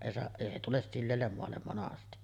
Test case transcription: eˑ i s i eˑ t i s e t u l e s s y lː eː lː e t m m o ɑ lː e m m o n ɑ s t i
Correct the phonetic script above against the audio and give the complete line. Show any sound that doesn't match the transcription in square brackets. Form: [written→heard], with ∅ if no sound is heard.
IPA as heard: eˑ i s [i→e] eˑ [t→∅] i s e t u l e s s [y→i] lː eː lː e [t→∅] m m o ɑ lː e m m o n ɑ s t i